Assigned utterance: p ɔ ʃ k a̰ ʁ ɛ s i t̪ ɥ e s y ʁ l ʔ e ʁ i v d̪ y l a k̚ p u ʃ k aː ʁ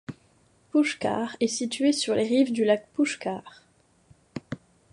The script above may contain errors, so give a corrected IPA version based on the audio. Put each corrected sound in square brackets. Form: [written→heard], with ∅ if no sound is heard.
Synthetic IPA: p [ɔ→u] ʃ k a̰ ʁ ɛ s i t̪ ɥ e s y ʁ l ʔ e ʁ i v d̪ y l a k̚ p u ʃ k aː ʁ